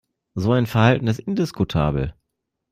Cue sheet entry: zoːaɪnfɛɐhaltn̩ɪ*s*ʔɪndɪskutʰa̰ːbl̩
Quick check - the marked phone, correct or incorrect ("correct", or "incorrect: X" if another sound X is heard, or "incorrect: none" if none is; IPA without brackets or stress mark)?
correct